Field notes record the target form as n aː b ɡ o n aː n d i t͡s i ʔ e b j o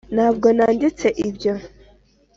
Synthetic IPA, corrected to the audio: n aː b ɡ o n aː n d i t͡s e ʔ i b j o